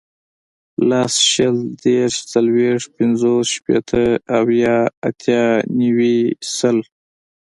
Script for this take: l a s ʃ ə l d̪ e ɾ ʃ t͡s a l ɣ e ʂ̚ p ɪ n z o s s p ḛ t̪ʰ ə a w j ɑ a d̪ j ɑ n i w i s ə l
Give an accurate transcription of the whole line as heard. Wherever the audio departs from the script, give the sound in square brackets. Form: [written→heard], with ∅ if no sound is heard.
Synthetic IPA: l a s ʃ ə l d̪ e ɾ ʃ t͡s a l [ɣ→w] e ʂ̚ p ɪ n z o s [s→ʃ] p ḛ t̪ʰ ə a w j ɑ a [d̪→t̪] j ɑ n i w i s ə l